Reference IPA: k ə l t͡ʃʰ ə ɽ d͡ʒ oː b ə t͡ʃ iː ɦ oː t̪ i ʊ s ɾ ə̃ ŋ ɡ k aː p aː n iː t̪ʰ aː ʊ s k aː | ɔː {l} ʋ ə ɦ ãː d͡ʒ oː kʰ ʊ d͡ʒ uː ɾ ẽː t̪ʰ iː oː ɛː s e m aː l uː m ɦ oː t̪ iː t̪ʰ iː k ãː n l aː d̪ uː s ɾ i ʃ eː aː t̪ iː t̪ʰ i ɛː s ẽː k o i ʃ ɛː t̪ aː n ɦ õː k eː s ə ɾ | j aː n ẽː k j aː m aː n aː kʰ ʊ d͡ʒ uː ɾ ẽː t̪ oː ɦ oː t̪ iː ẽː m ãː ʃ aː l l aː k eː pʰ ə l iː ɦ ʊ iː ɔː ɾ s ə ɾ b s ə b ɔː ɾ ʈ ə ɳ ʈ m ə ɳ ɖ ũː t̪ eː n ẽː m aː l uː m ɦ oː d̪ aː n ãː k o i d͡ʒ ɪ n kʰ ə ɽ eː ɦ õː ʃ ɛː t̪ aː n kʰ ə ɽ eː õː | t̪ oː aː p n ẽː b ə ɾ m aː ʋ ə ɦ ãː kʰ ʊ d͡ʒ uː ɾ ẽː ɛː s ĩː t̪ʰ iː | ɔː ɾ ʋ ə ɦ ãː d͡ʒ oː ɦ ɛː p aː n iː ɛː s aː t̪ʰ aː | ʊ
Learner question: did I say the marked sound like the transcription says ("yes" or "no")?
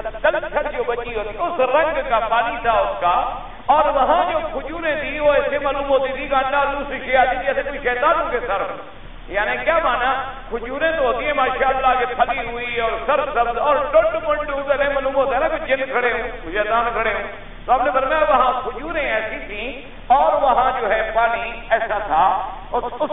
no